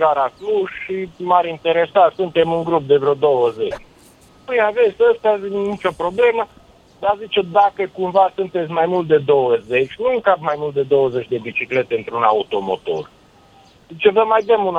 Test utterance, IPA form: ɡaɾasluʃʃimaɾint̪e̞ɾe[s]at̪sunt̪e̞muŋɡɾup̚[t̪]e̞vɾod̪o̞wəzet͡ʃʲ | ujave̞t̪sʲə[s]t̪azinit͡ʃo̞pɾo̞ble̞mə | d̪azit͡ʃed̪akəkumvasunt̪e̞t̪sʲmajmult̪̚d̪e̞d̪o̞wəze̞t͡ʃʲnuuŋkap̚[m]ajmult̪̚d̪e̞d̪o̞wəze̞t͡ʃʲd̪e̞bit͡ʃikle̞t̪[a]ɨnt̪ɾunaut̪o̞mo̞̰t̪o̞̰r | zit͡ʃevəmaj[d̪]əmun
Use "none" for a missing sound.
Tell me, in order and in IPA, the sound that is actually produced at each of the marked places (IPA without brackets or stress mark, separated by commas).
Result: s, d̪, s, m, e, d̪